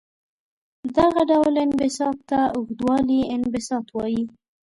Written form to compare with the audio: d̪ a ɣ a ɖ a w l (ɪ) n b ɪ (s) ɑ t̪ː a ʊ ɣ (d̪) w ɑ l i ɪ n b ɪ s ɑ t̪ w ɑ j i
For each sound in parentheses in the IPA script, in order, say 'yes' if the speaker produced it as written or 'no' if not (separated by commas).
yes, yes, yes